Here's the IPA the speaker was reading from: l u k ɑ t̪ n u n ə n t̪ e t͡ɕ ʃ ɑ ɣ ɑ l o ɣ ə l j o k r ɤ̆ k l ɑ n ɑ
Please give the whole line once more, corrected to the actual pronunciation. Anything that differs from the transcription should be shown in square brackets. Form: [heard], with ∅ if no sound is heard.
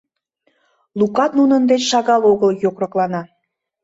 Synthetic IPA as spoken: l u k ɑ t̪ n u n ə n [d̪] e t͡ɕ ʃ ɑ ɣ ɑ l o ɣ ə l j o k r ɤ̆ k l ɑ n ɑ